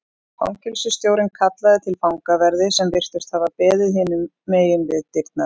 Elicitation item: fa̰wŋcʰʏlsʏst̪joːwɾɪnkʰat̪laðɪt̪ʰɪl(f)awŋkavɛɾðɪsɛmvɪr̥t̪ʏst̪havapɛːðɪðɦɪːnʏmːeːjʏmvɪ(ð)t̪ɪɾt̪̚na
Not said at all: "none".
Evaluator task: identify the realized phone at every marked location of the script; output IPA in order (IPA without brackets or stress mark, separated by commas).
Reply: f, ð